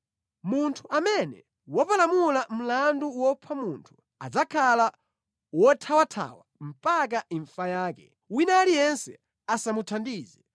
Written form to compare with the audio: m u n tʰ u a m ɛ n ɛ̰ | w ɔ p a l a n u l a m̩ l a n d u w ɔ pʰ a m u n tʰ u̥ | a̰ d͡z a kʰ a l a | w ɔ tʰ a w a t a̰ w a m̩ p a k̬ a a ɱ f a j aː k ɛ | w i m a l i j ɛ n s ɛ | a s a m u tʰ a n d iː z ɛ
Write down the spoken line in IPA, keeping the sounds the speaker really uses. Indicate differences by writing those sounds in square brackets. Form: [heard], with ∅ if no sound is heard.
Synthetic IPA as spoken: m u n tʰ u a m ɛ n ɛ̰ | w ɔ p a l a [m] u l a m̩ l a n d u w ɔ pʰ a m u n tʰ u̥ | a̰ d͡z a kʰ a l a | w ɔ tʰ a w a [tʰ] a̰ w a m̩ p a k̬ a [i] ɱ f a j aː k ɛ | w i [n] a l i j ɛ n s ɛ | a s a m u tʰ a n d iː z ɛ